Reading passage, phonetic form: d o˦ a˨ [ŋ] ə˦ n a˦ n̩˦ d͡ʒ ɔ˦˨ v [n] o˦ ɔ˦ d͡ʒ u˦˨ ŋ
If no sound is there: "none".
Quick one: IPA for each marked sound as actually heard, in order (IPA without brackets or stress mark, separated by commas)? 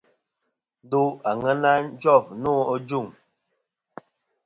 ŋ, n